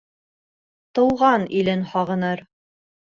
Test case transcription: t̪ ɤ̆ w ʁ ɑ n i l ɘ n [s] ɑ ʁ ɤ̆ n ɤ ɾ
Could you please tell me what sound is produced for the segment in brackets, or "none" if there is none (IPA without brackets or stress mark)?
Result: h